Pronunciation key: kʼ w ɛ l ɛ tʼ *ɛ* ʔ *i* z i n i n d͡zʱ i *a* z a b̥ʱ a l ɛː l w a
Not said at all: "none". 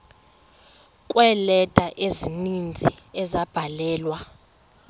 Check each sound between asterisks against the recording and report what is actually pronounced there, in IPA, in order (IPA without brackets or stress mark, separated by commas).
a, e, ɛ